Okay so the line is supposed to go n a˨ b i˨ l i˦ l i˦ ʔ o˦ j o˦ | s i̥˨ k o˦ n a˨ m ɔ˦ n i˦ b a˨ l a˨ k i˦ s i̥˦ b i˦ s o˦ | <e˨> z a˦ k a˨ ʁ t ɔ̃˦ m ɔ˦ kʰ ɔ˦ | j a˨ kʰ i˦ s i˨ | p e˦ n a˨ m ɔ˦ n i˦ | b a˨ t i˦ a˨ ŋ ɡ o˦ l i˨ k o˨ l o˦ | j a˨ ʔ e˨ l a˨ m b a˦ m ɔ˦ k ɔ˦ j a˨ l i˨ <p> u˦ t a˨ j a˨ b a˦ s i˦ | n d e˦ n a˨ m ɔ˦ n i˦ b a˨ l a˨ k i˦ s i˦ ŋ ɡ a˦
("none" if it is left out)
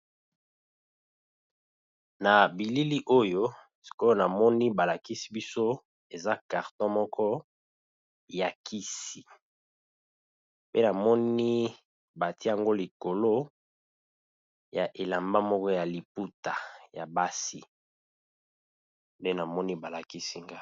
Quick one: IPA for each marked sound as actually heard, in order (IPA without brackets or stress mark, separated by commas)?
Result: e˨, p